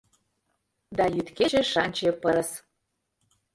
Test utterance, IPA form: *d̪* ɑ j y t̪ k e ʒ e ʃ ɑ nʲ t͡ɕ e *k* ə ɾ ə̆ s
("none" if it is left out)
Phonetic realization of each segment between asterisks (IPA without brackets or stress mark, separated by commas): d̪, p